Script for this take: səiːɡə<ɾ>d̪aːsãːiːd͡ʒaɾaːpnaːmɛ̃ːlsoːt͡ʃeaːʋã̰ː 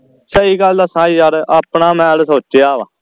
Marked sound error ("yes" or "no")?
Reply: yes